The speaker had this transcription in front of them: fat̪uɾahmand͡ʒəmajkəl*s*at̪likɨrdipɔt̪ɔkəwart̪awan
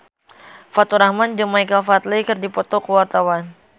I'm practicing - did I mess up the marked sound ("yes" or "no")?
yes